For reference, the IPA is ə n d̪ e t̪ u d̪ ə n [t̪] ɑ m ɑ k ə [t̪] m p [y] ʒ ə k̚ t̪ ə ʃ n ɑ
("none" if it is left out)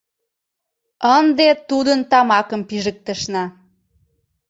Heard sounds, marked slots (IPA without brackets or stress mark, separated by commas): t̪, none, i